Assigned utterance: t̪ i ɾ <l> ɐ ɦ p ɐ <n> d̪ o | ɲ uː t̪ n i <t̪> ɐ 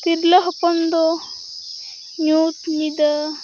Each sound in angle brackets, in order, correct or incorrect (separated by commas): correct, correct, incorrect